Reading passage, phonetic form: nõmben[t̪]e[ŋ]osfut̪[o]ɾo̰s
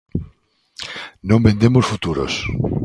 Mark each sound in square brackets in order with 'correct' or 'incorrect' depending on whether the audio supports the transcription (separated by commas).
incorrect, incorrect, incorrect